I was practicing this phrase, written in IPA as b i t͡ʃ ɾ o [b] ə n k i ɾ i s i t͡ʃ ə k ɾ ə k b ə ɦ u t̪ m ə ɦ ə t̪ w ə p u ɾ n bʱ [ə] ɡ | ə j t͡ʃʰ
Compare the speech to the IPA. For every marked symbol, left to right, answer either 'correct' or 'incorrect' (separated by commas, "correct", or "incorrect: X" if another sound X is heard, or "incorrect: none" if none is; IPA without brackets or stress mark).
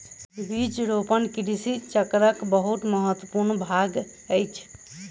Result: incorrect: p, incorrect: a